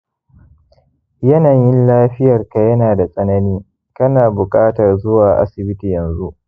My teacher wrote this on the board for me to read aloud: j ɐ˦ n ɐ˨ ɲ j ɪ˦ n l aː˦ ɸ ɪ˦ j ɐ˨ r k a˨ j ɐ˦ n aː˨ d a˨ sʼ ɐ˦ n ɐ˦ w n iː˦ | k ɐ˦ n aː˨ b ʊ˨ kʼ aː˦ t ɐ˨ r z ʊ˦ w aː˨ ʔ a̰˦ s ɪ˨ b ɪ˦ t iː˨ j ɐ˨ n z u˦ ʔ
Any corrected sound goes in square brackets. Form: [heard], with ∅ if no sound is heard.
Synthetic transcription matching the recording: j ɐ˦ n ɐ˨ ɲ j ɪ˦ n l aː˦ ɸ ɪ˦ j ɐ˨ r k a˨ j ɐ˦ n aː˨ d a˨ sʼ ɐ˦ n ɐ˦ [∅] n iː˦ | k ɐ˦ n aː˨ b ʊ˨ kʼ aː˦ t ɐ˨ r z ʊ˦ w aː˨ ʔ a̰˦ s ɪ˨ b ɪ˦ t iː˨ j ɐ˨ n z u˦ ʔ

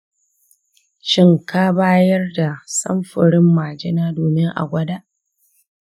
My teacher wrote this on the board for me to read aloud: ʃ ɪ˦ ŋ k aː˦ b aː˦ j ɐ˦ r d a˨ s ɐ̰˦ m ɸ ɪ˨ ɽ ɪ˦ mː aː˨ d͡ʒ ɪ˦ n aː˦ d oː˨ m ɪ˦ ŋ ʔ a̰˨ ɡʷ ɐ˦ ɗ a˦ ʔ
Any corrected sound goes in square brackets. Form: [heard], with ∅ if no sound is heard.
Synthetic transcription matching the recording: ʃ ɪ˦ ŋ k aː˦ b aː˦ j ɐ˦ r d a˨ s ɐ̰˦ m ɸ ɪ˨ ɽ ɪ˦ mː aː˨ d͡ʒ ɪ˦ n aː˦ d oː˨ m ɪ˦ ŋ ʔ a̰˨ ɡʷ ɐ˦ [d] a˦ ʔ

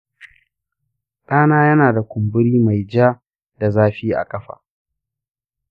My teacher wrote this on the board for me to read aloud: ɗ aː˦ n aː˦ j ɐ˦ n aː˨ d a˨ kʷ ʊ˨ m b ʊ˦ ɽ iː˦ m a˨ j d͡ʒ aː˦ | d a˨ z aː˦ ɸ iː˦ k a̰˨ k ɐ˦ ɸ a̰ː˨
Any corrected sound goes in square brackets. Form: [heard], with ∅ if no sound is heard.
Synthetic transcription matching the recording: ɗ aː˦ n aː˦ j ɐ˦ n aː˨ d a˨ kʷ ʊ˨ m b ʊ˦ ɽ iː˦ m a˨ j d͡ʒ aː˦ | d a˨ z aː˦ ɸ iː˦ [ʔ] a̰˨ [kʼ] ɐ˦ ɸ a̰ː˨

